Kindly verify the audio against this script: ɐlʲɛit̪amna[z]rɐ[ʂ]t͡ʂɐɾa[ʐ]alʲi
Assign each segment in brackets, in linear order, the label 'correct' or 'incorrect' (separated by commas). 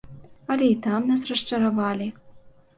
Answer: incorrect, correct, incorrect